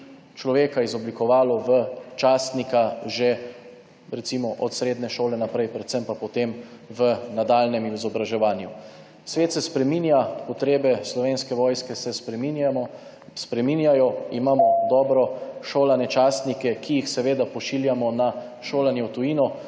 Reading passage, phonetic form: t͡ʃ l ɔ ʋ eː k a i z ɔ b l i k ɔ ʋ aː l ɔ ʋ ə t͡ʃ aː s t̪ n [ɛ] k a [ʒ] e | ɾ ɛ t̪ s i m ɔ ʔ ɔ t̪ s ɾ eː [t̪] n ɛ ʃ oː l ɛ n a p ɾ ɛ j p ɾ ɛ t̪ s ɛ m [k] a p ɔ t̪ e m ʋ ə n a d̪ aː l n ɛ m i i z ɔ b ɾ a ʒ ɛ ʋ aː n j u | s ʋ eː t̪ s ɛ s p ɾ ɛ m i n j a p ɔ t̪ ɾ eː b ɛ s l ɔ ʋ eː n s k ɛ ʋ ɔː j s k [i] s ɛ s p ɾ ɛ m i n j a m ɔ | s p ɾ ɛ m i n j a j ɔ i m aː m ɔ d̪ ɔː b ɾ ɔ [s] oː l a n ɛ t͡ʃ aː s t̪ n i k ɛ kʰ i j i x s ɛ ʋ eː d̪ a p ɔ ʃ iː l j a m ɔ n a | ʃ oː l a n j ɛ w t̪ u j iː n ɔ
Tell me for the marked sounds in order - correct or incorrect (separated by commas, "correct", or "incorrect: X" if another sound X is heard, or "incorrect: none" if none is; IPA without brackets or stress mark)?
incorrect: i, correct, incorrect: d̪, incorrect: p, incorrect: ɛ, incorrect: ʃ